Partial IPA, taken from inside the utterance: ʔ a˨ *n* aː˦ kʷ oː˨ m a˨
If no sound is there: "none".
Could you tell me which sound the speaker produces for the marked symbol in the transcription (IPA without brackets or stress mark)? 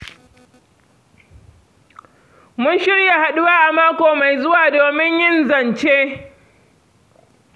m